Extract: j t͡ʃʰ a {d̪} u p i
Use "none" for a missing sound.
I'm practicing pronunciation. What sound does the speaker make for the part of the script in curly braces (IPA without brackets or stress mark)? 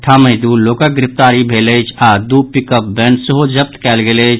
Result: d̪